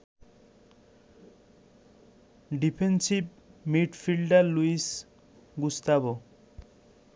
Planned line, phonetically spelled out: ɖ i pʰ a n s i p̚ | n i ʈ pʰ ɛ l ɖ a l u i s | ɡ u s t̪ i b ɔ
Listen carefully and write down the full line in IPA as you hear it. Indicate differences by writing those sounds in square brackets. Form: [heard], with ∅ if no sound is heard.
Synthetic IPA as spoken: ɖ i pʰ [e] n s i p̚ | [m] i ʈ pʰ [i] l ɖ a l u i s | ɡ u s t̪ [a] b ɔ